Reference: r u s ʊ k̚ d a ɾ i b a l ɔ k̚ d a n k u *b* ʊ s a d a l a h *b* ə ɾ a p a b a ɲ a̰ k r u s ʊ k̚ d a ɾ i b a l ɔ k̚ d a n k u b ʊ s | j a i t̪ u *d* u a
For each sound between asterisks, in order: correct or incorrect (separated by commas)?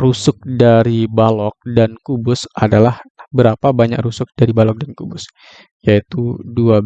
correct, correct, correct